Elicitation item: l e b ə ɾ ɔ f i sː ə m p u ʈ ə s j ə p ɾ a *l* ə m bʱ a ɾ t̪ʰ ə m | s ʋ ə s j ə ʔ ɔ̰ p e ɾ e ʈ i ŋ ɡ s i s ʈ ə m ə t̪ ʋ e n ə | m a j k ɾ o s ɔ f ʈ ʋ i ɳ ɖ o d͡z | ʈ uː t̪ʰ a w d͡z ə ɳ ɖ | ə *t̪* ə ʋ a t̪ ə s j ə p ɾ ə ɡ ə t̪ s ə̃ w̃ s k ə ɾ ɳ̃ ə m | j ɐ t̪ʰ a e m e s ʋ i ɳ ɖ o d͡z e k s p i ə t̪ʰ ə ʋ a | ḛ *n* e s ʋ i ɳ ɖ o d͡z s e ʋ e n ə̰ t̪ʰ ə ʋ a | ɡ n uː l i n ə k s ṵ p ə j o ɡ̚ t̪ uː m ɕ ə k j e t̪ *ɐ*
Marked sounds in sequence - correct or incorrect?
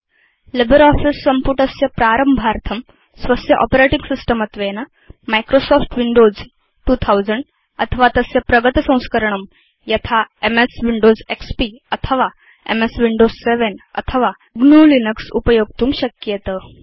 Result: incorrect, incorrect, incorrect, incorrect

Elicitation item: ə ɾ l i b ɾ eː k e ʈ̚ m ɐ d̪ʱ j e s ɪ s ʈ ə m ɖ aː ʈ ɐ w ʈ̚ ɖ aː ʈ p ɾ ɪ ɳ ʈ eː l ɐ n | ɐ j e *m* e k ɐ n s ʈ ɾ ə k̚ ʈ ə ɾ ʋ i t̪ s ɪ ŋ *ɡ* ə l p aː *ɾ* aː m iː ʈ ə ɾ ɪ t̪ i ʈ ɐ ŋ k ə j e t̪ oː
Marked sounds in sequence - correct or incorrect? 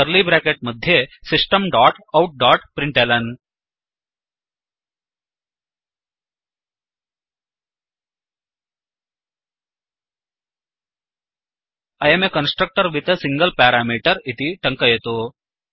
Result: correct, correct, correct

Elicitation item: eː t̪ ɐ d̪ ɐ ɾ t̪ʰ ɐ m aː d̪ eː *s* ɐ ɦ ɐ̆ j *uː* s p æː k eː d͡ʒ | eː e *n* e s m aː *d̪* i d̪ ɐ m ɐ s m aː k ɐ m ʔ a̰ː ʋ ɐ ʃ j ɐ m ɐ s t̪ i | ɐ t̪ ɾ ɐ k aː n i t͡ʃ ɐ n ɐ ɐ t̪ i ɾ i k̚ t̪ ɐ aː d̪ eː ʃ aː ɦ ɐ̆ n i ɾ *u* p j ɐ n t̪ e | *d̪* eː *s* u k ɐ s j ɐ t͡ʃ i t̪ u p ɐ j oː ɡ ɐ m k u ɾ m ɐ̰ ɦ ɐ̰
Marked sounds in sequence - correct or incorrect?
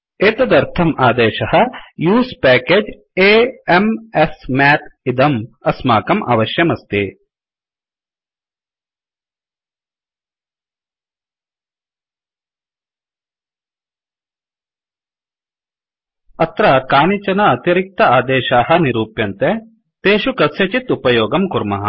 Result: incorrect, correct, incorrect, incorrect, incorrect, incorrect, incorrect

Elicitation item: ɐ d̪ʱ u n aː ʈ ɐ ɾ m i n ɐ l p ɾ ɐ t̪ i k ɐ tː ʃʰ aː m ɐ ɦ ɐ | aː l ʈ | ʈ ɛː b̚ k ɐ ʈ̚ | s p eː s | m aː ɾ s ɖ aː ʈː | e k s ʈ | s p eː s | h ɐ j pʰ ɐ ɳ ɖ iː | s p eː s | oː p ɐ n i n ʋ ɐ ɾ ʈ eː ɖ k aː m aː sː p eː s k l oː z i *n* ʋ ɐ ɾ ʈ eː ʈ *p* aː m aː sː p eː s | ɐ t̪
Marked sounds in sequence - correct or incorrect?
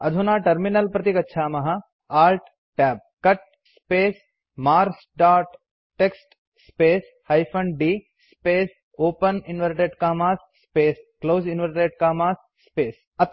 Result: correct, incorrect

